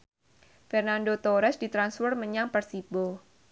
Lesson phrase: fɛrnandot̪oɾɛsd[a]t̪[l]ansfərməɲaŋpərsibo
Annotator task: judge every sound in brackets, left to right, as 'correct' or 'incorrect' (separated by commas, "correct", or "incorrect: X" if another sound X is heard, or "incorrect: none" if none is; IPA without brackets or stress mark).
incorrect: i, incorrect: ɾ